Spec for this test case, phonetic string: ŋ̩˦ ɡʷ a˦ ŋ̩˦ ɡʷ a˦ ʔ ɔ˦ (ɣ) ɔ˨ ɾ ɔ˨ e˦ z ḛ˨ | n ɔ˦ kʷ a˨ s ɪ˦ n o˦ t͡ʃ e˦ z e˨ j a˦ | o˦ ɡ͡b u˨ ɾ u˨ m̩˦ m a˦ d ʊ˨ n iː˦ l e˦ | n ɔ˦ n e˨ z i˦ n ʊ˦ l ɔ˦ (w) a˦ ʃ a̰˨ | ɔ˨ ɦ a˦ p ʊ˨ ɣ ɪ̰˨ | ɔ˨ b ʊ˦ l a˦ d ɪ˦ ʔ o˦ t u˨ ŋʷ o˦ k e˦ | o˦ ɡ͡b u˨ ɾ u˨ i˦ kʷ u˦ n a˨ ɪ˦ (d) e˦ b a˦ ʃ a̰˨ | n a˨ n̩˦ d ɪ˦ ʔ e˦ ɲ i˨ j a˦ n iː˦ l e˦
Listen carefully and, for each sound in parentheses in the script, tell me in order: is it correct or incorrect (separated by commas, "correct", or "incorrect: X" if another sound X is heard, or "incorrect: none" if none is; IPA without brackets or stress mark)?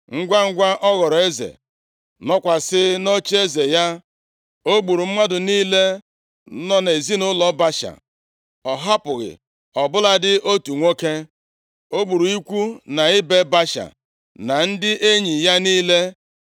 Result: correct, incorrect: b, incorrect: b